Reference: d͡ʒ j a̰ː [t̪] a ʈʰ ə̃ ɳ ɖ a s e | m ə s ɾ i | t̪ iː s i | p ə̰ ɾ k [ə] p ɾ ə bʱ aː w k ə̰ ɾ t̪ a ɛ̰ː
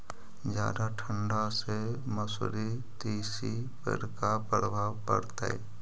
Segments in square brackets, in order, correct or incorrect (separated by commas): incorrect, incorrect